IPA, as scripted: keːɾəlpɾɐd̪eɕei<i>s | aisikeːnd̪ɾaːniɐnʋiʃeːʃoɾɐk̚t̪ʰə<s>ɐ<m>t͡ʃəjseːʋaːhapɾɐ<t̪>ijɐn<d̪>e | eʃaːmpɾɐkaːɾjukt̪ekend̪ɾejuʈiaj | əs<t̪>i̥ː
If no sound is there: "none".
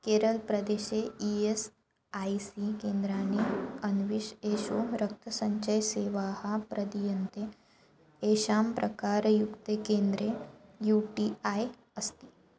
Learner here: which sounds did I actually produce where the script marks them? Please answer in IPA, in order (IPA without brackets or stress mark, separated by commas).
e, s, ɲ, d̪, t̪, t̪